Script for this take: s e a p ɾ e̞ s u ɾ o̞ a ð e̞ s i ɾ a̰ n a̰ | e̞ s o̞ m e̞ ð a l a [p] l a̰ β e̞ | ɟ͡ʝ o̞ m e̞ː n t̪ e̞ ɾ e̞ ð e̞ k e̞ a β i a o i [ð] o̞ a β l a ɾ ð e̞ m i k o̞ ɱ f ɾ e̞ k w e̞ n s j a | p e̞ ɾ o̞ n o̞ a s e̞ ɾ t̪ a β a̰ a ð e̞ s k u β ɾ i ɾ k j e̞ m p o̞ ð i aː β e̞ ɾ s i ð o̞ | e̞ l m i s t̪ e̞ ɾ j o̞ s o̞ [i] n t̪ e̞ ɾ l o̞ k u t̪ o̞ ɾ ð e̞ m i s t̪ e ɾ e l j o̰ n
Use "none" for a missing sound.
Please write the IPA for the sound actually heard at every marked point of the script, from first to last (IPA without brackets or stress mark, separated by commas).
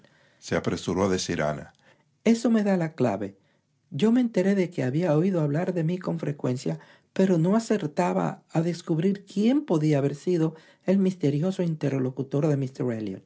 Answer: k, ð, i